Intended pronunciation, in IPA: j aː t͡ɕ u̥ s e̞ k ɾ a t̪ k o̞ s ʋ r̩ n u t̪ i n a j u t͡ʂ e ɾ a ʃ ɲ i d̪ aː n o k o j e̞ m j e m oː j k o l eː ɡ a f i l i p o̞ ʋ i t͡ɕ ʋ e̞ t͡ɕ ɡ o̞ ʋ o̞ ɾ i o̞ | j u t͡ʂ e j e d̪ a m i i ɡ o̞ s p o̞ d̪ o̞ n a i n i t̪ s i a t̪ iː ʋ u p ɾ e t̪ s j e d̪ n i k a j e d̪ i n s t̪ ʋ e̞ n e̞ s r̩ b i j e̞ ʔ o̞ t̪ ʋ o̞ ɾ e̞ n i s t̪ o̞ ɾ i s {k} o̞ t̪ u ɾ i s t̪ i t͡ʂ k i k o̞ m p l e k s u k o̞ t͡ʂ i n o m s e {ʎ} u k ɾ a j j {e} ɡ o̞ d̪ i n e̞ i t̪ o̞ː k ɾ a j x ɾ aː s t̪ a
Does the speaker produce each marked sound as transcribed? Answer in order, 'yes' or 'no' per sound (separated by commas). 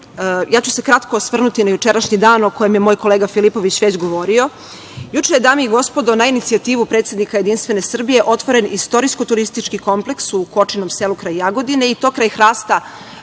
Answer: yes, no, no